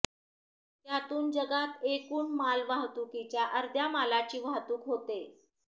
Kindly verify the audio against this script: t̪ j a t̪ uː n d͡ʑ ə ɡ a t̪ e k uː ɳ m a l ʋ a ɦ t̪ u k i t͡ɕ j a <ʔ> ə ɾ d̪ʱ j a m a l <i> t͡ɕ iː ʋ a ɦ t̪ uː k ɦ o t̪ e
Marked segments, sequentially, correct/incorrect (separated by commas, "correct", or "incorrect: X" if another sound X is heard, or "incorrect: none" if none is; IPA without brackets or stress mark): correct, incorrect: a